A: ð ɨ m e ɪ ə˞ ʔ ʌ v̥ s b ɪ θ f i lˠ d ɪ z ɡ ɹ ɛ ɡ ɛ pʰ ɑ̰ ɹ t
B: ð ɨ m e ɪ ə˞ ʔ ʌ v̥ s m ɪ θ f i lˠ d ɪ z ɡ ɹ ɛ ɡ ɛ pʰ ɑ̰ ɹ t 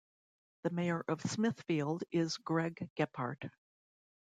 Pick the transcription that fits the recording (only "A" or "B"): B